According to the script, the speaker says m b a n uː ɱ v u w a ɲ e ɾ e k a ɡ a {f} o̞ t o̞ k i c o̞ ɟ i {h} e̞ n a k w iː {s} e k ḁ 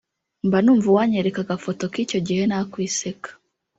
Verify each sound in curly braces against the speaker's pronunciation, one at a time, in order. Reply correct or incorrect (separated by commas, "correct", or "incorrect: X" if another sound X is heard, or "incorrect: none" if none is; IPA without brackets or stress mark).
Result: correct, correct, correct